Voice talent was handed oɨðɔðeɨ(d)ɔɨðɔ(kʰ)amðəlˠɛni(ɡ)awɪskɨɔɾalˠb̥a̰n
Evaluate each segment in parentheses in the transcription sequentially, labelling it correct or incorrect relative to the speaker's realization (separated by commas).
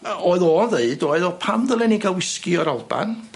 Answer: correct, incorrect, correct